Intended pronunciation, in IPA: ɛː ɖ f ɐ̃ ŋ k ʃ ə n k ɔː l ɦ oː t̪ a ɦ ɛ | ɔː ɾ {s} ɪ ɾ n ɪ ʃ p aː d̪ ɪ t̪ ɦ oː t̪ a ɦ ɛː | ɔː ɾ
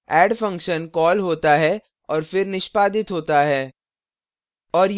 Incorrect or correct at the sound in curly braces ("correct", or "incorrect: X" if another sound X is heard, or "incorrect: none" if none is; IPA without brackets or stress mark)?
incorrect: f